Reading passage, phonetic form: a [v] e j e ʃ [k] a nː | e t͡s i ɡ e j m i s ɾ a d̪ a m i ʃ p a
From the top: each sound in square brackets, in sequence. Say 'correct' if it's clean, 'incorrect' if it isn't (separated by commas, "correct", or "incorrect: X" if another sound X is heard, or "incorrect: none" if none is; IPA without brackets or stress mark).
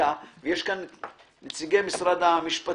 correct, correct